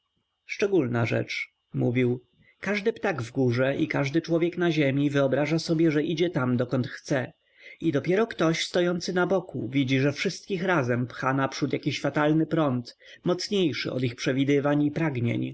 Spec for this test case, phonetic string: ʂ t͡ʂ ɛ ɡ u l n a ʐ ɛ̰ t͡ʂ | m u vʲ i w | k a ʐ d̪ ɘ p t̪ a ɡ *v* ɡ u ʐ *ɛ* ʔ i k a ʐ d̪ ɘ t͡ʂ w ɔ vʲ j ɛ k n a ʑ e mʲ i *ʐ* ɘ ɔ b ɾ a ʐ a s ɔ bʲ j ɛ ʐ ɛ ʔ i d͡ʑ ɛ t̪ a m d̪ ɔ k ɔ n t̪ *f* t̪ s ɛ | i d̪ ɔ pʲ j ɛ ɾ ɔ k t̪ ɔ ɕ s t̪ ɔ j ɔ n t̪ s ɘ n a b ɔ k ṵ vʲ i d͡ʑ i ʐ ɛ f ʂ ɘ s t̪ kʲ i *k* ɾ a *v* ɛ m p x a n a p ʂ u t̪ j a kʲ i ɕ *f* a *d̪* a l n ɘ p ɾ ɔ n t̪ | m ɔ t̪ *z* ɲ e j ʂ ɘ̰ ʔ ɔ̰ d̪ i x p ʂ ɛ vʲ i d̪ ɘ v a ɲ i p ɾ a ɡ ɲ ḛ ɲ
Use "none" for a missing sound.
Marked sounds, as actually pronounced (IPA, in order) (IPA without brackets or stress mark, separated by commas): v, ɛ, v, x, x, z, f, t̪, s